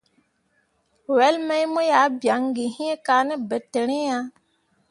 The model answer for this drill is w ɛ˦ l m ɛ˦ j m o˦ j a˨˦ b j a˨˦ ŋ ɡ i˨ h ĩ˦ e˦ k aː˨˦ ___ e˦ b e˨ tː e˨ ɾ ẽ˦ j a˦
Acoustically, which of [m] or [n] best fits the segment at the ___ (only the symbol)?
n